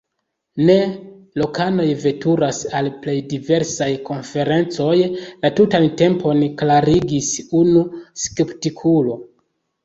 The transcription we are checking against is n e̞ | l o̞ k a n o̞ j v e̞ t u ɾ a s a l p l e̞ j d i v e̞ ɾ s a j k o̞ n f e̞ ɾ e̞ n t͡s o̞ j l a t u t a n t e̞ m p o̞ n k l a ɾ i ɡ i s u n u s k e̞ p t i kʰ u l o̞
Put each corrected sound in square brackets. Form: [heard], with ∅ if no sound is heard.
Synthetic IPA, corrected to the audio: n e̞ | l o̞ k a n o̞ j v e̞ t u ɾ a s a l p l e̞ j d i v e̞ ɾ s a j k o̞ n f e̞ ɾ e̞ n t͡s o̞ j l a t u t a n t e̞ m p o̞ n k l a ɾ i ɡ i s u n u s k e̞ p t i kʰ u l o̞

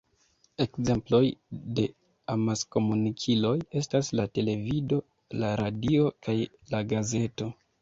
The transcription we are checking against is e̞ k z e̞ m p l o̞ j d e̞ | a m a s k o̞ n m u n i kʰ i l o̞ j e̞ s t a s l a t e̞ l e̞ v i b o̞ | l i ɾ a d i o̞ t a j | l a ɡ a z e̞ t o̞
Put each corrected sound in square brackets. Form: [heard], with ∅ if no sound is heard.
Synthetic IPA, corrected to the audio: e̞ k z e̞ m p l o̞ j d e̞ | a m a s k o̞ [∅] m u n i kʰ i l o̞ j e̞ s t a s l a t e̞ l e̞ v i [d] o̞ | l [a] ɾ a d i o̞ [k] a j | l a ɡ a z e̞ t o̞

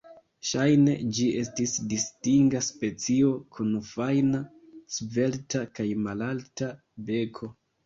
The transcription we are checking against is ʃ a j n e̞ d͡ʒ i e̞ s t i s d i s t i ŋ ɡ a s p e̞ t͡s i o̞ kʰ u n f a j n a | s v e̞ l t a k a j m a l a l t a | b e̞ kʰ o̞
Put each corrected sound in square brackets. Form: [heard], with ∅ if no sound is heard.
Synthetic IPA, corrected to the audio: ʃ a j n e̞ d͡ʒ i e̞ s t i s d i s t i ŋ ɡ a s p e̞ t͡s i o̞ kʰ u n f a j n a | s v e̞ l t a k a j m a l a l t a | b e̞ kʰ o̞

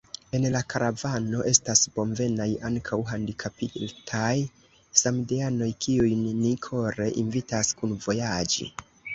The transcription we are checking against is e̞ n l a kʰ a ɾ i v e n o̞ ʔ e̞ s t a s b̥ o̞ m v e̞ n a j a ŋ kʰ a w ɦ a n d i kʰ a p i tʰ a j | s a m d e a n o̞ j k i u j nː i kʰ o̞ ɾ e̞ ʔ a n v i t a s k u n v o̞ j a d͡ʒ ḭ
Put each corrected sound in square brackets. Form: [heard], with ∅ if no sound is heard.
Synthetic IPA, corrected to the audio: e̞ n l a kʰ a ɾ [a] v [a] n o̞ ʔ e̞ s t a s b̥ o̞ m v e̞ n a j a ŋ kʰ a w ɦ a n d i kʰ a p i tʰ a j | s a m d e a n o̞ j k i u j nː i kʰ o̞ ɾ e̞ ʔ [i] n v i t a s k u n v o̞ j a d͡ʒ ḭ

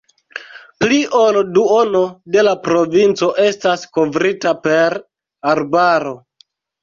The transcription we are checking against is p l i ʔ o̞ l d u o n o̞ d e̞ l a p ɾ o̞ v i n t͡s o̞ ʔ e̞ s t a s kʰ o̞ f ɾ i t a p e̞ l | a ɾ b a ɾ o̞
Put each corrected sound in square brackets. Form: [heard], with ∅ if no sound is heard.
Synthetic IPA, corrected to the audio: p l i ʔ o̞ l d u o n o̞ d e̞ l a p ɾ o̞ v i n t͡s o̞ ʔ e̞ s t a s [k] o̞ [v] ɾ i t a p e̞ [ɾ] | a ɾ b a ɾ o̞

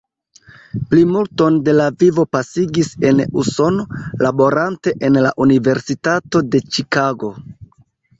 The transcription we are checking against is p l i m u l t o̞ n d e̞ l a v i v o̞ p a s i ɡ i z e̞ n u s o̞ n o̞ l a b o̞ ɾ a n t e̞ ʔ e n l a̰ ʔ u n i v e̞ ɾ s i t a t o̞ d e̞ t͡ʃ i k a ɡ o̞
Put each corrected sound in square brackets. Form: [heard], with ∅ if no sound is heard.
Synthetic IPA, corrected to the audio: p l i m u l t o̞ n d e̞ l a v i v o̞ p a s i ɡ i [s] e̞ n u s o̞ n o̞ l a b o̞ ɾ a n t e̞ ʔ e n l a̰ ʔ u n i v e̞ ɾ s i t a t o̞ d e̞ t͡ʃ i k a ɡ o̞

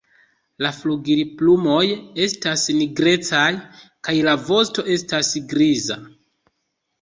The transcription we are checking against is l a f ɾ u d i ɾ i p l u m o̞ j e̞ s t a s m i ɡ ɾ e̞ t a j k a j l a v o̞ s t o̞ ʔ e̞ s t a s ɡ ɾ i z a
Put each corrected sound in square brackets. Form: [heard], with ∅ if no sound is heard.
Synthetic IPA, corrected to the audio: l a f [l] u [ɡ] i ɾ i p l u m o̞ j e̞ s t a s [n] i ɡ ɾ e̞ [t͡s] a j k a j l a v o̞ s t o̞ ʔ e̞ s t a s ɡ ɾ i z a

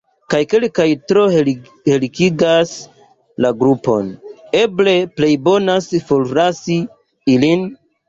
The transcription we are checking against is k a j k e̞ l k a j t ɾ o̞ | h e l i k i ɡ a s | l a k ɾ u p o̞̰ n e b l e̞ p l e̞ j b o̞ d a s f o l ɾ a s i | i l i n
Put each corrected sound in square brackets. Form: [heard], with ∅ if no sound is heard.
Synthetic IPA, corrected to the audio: k a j k e̞ l k a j t ɾ o̞ | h e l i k i ɡ a s | l a [ɡ] ɾ u p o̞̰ n e b l e̞ p l e̞ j b o̞ [n] a s f o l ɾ a s i | i l i n

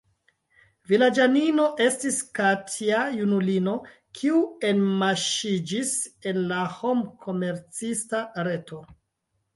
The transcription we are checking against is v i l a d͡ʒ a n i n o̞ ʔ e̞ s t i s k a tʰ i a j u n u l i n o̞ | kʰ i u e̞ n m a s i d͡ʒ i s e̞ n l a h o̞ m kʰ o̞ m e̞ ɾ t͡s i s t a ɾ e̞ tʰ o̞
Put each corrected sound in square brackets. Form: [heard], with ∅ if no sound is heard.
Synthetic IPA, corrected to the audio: v i l a d͡ʒ a n i n o̞ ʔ e̞ s t i s k a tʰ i a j u n u l i n o̞ | kʰ i u e̞ n m a [ʃ] i d͡ʒ i s e̞ n l a h o̞ m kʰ o̞ m e̞ ɾ t͡s i s t a ɾ e̞ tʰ o̞

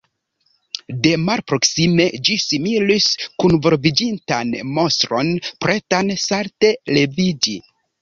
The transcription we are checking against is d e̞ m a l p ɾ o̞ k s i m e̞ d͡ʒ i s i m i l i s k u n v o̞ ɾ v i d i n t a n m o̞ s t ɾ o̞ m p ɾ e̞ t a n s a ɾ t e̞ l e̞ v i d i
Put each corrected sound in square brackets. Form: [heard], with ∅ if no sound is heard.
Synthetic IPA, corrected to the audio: d e̞ m a l p ɾ o̞ k s i m e̞ d͡ʒ i s i m i l i s k u n v o̞ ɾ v i [d͡ʒ] i n t a n m o̞ s t ɾ o̞ [n] p ɾ e̞ t a n s a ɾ t e̞ l e̞ v i [d͡ʒ] i

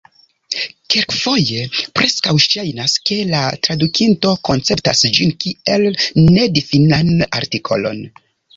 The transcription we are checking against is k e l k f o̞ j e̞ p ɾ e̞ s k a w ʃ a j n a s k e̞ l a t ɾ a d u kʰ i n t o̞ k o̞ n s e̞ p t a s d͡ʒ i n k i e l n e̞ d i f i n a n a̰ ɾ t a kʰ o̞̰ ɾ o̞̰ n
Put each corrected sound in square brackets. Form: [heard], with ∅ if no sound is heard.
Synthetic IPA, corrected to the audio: k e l k f o̞ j e̞ p ɾ e̞ s k a w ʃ a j n a s k e̞ l a t ɾ a d u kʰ i n t o̞ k o̞ n [t͡s] e̞ p t a s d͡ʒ i n k i e l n e̞ d i f i n a n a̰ ɾ t [i] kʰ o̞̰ [l] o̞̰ n

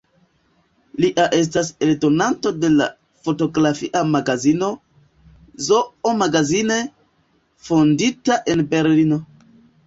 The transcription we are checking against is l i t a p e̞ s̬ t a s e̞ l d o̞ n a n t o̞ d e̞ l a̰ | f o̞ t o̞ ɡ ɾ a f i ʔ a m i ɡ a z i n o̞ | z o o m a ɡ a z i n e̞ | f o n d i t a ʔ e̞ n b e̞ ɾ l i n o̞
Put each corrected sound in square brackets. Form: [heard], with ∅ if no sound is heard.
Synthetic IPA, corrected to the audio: l i [ʔ] a [ʔ] e̞ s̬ t a s e̞ l d o̞ n a n t o̞ d e̞ l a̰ | f o̞ t o̞ ɡ ɾ a f i ʔ a m [a] ɡ a z i n o̞ | z o o m a ɡ a z i n e̞ | f o n d i t a ʔ e̞ n b e̞ ɾ l i n o̞

